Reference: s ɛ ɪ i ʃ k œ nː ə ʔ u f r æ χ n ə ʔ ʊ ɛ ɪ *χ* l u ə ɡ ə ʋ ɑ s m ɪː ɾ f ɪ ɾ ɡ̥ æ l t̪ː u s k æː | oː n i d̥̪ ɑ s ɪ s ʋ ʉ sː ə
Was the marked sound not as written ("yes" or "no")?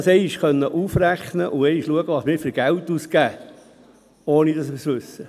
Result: yes